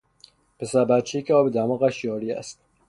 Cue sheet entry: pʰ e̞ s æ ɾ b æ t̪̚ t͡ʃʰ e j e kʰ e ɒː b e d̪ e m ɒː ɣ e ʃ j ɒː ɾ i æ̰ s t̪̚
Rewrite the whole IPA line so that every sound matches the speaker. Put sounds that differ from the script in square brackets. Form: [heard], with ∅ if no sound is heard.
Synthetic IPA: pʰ e̞ s æ ɾ b æ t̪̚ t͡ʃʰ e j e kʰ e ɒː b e d̪ [æ] m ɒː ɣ [æ] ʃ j ɒː ɾ i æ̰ s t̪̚